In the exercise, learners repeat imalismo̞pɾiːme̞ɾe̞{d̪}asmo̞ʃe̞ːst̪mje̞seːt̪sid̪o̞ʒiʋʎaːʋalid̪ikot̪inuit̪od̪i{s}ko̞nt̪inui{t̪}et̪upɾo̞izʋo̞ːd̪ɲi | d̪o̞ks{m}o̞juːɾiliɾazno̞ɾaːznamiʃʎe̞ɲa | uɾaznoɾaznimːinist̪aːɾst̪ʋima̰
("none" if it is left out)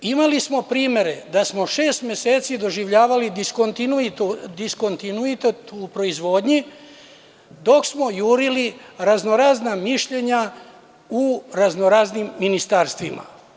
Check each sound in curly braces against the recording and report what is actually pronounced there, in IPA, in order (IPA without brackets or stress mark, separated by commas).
d̪, s, t̪, m